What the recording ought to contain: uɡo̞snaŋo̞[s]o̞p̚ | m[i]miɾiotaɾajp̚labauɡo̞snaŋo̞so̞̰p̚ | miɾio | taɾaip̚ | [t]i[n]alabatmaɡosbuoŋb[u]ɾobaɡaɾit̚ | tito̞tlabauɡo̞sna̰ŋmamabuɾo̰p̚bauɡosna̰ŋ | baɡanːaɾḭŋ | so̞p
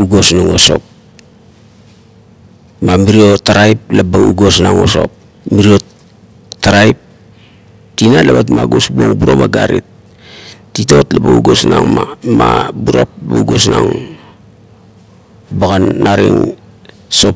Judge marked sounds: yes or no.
yes, no, yes, yes, yes

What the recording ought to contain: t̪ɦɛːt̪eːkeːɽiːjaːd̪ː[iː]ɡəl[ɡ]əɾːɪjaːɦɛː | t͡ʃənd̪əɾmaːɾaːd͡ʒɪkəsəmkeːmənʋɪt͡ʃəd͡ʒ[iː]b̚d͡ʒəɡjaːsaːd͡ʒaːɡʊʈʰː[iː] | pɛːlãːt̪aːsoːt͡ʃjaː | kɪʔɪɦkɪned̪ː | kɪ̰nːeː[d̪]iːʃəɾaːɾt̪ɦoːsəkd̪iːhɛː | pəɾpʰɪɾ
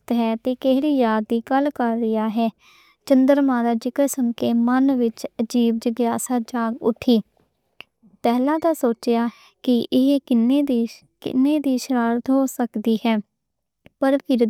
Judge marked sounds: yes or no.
yes, no, yes, yes, yes

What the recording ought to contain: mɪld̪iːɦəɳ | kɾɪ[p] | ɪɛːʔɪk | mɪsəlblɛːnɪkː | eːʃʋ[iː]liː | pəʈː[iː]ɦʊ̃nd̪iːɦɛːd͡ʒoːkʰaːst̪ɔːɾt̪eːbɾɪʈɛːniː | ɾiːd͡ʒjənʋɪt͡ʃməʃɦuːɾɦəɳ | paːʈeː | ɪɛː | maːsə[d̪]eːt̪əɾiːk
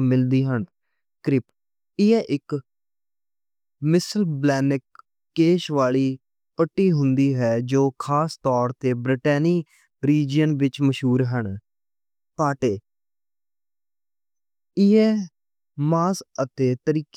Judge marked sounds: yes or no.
yes, no, yes, no

